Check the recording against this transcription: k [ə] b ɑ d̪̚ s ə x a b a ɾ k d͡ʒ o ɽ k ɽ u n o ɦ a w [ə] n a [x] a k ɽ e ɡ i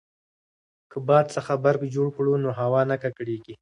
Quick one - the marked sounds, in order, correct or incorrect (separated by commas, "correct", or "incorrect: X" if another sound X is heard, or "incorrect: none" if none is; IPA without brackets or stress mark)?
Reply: correct, incorrect: ɑ, incorrect: k